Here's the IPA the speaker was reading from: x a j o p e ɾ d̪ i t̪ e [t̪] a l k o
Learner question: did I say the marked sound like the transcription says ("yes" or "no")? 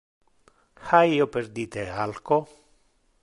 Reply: no